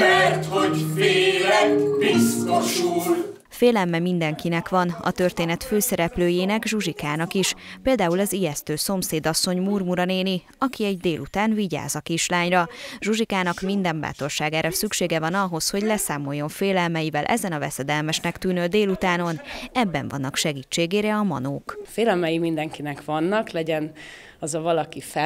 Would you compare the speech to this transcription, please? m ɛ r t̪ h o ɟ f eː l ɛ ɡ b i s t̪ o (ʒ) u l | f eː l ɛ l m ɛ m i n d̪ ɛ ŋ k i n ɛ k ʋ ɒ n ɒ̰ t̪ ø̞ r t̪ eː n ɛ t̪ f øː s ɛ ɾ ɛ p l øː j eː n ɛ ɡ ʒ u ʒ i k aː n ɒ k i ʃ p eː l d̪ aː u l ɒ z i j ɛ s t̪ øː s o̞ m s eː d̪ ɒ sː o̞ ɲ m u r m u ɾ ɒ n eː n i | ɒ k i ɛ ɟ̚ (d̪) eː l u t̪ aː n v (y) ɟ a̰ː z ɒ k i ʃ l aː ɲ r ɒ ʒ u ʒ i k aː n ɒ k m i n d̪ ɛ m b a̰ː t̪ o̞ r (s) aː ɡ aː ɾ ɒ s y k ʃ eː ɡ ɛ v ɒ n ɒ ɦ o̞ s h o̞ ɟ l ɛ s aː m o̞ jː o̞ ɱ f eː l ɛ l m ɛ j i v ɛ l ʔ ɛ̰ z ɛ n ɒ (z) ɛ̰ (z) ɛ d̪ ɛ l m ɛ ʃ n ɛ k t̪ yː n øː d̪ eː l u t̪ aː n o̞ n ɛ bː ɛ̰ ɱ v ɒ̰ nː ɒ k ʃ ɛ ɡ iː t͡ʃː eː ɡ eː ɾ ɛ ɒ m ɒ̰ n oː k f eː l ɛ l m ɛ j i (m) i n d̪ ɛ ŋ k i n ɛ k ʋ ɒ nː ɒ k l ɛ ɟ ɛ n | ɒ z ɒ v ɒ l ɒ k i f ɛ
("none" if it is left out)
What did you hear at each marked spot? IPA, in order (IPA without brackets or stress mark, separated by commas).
ʃ, d̪, i, ʃ, v, s, m